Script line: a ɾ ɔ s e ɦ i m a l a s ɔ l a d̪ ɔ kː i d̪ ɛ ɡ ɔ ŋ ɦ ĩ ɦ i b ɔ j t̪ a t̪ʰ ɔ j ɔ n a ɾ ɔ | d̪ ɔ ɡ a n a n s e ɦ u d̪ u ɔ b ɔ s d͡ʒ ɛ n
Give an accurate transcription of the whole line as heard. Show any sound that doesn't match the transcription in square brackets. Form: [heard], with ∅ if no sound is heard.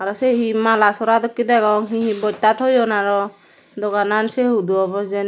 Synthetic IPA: a ɾ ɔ s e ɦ i m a l a s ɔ [ɾ] a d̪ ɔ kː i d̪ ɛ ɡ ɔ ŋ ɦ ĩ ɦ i b ɔ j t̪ a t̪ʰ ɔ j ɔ n a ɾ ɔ | d̪ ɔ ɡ a n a n s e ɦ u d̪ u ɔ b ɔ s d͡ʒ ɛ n